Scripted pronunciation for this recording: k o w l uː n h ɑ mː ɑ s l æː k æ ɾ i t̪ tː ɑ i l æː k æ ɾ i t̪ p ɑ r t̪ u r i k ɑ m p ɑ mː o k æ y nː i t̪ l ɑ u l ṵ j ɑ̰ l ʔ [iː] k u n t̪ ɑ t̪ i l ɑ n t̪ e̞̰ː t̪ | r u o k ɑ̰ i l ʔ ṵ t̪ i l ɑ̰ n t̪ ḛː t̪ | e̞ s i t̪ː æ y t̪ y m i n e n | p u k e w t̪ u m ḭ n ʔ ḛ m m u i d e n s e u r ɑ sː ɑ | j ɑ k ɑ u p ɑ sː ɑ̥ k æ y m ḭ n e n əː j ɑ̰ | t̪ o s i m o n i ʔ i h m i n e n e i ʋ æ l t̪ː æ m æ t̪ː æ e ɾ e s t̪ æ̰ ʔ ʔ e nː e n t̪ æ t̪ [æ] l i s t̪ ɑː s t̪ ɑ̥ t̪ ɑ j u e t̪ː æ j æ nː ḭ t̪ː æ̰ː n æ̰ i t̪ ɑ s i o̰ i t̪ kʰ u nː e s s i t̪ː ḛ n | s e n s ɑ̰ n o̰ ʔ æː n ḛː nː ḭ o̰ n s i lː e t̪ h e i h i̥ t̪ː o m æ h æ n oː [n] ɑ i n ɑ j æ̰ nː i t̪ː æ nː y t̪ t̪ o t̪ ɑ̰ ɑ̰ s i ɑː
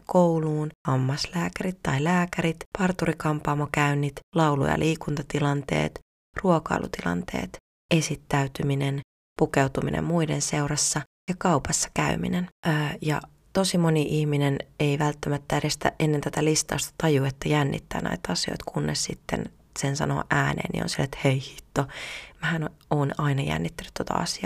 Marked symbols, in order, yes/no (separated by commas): yes, yes, yes